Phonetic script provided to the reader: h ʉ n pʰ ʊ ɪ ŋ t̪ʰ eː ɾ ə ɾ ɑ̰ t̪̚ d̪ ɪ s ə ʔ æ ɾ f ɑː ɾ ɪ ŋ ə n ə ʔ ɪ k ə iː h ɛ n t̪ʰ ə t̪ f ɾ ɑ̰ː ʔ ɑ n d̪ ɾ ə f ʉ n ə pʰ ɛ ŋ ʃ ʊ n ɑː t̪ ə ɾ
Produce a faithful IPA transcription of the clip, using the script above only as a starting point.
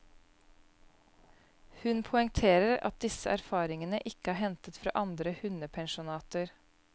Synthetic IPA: h ʉ n pʰ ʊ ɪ ŋ t̪ʰ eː ɾ ə ɾ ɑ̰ t̪̚ d̪ ɪ s ə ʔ æ ɾ f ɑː ɾ ɪ ŋ ə n ə ʔ ɪ k ə æː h ɛ n t̪ ə t̪ f ɾ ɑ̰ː ʔ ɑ n d̪ ɾ ə h ʉ n ə pʰ ɛ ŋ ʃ ʊ n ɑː t̪ ə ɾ